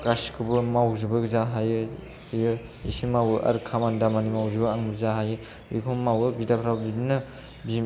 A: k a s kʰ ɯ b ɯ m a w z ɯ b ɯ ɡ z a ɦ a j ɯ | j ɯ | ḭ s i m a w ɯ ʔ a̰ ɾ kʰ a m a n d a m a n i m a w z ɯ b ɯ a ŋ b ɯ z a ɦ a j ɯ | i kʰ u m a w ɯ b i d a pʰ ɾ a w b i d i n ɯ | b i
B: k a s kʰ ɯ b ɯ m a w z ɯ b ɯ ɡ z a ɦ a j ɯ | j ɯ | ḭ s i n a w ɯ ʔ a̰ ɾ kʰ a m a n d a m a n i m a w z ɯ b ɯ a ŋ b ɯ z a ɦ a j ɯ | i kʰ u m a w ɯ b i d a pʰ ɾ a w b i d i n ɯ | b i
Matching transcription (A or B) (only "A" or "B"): A